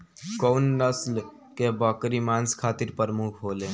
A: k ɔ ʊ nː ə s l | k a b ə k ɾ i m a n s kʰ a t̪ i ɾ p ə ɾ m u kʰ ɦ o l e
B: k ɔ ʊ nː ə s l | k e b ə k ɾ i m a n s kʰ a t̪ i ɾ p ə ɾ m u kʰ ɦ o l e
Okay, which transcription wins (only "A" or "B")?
B